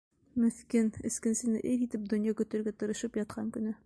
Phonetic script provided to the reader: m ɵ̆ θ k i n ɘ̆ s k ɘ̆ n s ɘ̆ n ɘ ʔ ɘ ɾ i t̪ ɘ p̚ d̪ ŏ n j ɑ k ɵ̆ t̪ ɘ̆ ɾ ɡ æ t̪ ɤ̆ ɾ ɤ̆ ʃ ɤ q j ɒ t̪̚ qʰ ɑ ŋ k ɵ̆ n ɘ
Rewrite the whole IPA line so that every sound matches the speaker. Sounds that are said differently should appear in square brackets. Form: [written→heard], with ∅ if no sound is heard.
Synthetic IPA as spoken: m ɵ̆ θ k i n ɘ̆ s k ɘ̆ n s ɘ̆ n ɘ ʔ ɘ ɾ i t̪ ɘ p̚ d̪ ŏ n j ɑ k ɵ̆ t̪ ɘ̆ ɾ ɡ æ t̪ ɤ̆ ɾ ɤ̆ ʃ ɤ [q→p] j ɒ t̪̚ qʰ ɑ ŋ k ɵ̆ n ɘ